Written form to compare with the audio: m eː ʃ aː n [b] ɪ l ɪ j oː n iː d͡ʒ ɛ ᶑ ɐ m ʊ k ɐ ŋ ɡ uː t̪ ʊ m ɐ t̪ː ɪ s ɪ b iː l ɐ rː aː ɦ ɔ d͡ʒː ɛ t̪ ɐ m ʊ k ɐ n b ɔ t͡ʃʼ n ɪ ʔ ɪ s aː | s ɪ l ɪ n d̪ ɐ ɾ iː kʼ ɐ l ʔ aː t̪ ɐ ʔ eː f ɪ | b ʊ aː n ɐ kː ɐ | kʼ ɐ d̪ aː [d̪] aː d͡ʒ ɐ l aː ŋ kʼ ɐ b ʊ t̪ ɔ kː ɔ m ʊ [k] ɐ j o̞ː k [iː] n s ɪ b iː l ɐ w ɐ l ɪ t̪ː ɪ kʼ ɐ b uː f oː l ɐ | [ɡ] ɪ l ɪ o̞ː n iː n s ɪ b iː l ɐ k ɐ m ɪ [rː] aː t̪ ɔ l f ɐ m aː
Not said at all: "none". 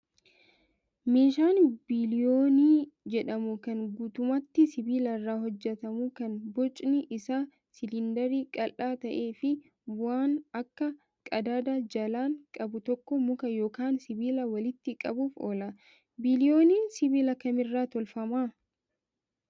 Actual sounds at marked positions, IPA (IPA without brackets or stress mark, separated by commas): b, d̪, k, aː, b, rː